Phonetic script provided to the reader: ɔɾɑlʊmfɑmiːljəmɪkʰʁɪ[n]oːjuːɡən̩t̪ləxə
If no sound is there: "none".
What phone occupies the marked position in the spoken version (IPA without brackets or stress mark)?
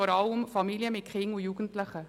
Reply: ŋ